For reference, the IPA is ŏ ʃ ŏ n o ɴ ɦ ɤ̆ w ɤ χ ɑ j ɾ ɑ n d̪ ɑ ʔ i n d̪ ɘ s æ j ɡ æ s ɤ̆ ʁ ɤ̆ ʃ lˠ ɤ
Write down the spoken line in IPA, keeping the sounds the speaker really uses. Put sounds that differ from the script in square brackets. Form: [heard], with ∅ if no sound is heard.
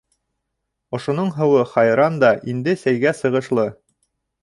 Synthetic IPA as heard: ŏ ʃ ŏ n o ɴ ɦ ɤ̆ w ɤ χ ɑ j ɾ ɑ n d̪ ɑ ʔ i n d̪ ɘ s æ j ɡ æ s ɤ̆ ʁ ɤ̆ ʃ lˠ ɤ